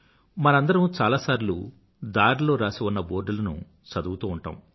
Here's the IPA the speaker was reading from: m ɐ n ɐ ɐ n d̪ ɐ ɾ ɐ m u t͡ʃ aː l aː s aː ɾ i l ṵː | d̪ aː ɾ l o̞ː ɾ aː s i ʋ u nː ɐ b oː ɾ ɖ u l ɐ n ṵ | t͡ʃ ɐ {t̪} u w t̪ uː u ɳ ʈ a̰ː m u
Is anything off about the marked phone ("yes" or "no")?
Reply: yes